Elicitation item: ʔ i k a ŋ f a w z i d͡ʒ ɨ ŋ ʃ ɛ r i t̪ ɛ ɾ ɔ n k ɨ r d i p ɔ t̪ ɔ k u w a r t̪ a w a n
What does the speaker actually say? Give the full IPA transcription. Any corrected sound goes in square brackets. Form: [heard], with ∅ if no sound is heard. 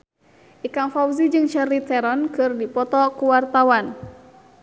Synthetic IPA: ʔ i k a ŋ f a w z i d͡ʒ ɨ ŋ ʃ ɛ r i t̪ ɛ ɾ ɔ n k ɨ r d i p ɔ t̪ ɔ k u w a r t̪ a w a n